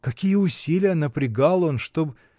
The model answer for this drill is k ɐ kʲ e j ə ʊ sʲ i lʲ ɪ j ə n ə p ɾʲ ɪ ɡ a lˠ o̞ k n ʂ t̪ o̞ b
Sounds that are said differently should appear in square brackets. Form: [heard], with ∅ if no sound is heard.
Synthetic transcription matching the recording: k ɐ kʲ [i] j ə ʊ sʲ i lʲ ɪ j ə n ə p ɾʲ ɪ ɡ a lˠ o̞ [∅] n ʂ t̪ o̞ b